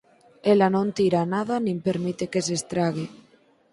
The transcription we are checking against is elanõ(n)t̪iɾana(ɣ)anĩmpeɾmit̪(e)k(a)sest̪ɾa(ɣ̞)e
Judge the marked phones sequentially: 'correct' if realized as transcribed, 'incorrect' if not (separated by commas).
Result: correct, incorrect, correct, incorrect, correct